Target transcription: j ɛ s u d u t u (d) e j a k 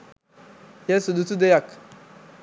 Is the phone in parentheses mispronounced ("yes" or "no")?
no